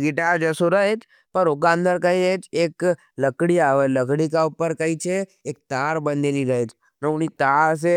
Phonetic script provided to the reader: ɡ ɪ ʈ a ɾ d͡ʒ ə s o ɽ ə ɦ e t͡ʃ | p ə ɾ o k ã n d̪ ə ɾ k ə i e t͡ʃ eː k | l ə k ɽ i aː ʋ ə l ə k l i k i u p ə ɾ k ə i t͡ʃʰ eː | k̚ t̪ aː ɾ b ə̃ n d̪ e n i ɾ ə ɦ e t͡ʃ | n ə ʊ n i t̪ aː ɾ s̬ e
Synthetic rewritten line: ɡ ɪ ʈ a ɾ d͡ʒ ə s o ɾ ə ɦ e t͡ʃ | p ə ɾ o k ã n d̪ ə ɾ k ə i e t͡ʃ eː k | l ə k ɽ i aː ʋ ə l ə k ɽ i k a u p ə ɾ k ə i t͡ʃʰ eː | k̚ t̪ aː ɾ b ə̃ n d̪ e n i ɾ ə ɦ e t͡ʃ | n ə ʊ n i t̪ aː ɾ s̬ e